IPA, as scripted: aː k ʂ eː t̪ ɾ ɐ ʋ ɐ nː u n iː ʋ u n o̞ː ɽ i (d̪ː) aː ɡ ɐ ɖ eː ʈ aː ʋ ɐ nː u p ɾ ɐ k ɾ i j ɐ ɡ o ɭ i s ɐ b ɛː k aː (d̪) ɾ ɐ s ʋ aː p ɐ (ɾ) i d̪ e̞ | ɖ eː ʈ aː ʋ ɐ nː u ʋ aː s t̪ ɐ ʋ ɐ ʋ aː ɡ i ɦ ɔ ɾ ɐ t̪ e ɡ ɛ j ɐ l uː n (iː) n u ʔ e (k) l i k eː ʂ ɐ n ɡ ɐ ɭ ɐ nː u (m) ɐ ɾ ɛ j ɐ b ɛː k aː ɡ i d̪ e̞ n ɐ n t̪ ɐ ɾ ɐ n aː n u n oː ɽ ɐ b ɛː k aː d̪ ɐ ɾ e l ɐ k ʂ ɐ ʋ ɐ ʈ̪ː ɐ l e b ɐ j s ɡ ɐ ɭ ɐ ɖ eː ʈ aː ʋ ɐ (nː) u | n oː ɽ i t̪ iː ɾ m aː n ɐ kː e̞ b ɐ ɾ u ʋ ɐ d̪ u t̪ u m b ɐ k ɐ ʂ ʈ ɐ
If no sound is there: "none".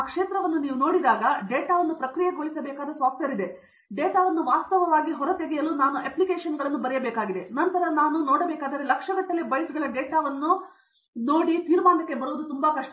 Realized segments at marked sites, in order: d̪, d̪, ɾ, aː, p, b, nː

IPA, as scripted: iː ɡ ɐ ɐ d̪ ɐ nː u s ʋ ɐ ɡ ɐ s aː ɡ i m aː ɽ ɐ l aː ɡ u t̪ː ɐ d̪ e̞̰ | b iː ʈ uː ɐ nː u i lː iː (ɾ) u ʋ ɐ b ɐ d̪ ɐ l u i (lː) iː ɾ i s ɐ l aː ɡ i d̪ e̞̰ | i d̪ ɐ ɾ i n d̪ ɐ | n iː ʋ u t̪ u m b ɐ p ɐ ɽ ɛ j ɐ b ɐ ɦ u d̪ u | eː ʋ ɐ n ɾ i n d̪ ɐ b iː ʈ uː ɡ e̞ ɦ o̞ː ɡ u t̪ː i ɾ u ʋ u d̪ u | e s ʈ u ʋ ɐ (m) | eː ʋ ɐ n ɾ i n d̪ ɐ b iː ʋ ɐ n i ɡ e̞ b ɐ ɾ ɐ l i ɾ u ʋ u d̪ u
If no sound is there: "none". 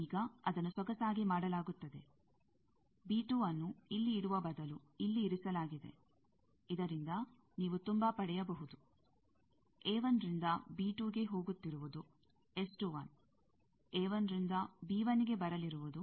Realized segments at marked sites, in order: ɽ, lː, n

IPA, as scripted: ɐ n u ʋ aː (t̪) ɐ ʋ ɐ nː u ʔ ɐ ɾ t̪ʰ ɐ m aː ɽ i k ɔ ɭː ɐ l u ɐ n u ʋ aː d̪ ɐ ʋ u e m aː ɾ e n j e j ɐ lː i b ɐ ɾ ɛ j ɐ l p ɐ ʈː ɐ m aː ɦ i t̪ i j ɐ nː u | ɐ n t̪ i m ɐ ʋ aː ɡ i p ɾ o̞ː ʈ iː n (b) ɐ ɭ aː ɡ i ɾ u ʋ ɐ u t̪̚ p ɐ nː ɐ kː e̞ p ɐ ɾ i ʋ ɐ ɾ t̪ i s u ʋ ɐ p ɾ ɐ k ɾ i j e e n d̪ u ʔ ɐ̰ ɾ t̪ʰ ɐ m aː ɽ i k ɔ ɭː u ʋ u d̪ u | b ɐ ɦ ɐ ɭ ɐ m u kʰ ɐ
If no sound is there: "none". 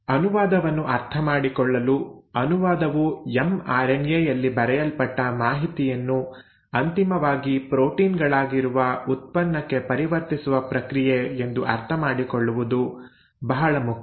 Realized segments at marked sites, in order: d̪, ɡ

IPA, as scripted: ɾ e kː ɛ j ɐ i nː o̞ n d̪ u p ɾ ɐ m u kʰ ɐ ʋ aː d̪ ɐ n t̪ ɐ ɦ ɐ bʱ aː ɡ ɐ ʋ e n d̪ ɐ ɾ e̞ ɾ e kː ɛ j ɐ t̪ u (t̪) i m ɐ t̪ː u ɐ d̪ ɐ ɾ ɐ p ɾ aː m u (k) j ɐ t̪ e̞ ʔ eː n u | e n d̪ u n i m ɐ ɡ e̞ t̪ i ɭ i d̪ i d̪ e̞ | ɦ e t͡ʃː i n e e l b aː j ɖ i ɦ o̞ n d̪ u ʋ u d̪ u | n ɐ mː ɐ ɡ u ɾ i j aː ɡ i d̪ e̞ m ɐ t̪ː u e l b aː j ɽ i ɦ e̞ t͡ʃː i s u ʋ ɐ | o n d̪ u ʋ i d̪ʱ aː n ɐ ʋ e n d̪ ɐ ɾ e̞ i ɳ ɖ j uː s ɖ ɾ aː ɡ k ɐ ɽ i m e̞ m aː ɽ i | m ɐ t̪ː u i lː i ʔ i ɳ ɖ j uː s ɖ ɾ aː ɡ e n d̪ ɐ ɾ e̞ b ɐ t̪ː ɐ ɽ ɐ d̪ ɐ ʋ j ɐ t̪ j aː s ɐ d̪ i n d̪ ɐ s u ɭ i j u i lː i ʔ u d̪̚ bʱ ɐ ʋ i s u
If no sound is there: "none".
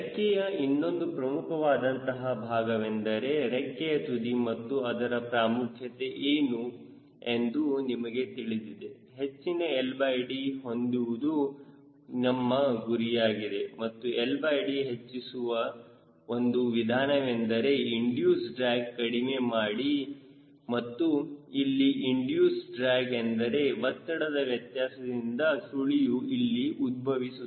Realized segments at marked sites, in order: d̪, kʰ

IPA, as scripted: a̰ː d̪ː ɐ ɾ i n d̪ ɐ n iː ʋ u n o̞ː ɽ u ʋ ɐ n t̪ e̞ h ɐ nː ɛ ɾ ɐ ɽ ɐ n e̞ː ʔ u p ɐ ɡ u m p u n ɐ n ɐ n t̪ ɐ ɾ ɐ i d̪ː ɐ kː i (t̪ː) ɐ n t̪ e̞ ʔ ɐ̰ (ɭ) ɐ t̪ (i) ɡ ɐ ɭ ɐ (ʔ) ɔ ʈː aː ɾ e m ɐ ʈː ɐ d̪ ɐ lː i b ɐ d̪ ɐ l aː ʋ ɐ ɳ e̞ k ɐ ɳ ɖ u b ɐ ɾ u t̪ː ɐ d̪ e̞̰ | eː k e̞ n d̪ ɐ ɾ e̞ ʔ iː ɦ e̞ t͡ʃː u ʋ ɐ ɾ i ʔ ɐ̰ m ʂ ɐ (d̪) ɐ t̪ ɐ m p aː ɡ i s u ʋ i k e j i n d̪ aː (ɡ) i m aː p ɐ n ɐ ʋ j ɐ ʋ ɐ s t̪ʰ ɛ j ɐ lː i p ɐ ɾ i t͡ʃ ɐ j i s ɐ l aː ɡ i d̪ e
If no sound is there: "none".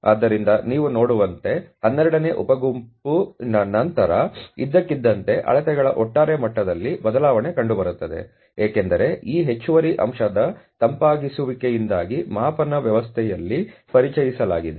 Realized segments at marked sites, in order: d̪ː, ɭ, ɛ, ʔ, d̪, ɡ

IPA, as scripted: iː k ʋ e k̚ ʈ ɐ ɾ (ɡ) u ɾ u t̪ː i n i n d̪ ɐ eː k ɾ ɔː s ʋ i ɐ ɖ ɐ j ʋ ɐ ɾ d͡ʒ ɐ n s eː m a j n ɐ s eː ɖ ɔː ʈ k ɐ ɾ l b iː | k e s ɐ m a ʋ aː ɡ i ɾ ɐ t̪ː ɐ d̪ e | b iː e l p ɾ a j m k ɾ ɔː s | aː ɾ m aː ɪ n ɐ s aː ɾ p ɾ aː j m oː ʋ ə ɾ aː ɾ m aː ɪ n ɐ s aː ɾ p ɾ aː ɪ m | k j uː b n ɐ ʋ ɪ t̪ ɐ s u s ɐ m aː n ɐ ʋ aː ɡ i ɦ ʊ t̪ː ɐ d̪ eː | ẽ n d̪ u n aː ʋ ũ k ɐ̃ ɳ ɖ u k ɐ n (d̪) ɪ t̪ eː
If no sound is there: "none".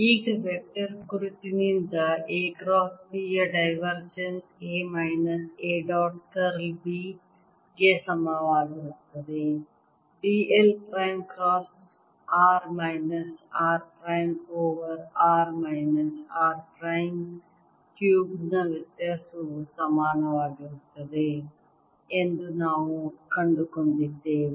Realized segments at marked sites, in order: k, d̪

